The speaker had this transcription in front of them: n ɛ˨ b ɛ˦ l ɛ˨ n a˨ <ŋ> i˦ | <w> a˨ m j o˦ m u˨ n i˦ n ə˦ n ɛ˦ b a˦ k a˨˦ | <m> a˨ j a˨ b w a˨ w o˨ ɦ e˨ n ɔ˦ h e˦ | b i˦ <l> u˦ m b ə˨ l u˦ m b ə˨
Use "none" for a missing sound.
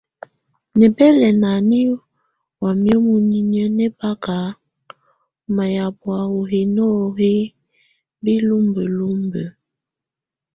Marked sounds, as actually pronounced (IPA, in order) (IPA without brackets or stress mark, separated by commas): n, w, m, l